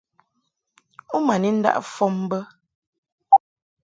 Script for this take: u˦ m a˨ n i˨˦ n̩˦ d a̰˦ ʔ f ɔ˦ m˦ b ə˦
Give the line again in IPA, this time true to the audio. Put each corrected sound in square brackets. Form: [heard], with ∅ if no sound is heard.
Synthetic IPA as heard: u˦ m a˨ n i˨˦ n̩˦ d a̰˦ ʔ f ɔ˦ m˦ b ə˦

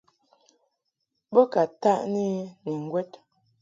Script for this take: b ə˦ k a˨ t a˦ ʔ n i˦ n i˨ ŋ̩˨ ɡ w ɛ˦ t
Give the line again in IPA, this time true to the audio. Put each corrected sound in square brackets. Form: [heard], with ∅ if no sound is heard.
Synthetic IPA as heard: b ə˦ k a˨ t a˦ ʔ n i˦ n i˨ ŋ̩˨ ɡ w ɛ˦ t

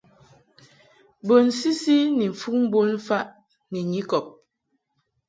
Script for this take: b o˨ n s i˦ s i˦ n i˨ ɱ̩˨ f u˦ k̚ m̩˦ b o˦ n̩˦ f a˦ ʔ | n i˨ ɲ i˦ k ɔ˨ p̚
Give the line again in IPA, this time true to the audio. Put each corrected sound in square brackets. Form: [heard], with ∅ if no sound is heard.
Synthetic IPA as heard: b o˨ n s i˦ s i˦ n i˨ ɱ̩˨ f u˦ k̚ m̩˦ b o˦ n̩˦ f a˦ ʔ | n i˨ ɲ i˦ k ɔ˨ p̚

